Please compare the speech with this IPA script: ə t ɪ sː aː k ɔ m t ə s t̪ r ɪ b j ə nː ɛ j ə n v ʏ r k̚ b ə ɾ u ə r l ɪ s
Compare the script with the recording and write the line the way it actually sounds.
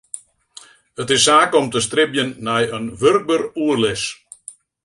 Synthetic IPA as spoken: ə t ɪ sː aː k ɔ m t ə s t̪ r ɪ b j ə nː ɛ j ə n ʋ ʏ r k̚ b ə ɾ u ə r l ɪ s